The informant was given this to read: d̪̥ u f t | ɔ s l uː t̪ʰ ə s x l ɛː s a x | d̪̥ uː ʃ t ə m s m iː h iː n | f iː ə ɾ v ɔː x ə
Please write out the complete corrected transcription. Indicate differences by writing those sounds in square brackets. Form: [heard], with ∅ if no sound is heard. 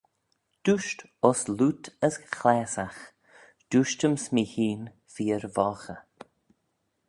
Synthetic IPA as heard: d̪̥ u [ʃ] t | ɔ s l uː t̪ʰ ə s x l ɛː s a x | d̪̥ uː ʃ t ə m s m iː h iː n | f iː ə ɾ v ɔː x ə